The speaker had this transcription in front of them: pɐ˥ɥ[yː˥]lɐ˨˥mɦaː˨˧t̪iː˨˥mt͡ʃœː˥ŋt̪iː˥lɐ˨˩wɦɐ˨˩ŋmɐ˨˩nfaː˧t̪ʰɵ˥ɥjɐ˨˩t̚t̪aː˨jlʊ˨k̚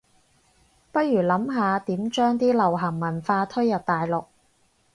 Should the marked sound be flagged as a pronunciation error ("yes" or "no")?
yes